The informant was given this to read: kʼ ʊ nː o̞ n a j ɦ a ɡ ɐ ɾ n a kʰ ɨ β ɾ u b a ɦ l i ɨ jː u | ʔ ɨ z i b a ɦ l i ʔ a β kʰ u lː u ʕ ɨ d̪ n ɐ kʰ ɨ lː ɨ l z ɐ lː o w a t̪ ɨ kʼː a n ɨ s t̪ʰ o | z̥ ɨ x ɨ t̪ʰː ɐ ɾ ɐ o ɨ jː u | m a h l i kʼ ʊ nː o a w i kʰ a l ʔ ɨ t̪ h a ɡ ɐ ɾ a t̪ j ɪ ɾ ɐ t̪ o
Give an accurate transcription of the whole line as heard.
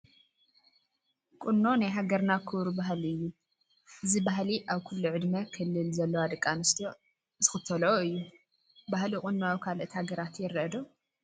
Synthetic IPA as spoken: kʼ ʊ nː o̞ n a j ɦ a ɡ ɐ ɾ n a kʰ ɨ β ɾ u b a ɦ l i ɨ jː u | ʔ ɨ z i b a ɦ l i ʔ a β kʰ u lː u ʕ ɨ d̪ m ɐ kʰ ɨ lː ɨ l z ɐ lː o w a d̪ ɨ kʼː a n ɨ s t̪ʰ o | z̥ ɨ x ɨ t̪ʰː ɐ l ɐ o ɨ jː u | b a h l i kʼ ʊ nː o a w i kʰ a l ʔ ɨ t̪ h a ɡ ɐ ɾ a t̪ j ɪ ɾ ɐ d̪ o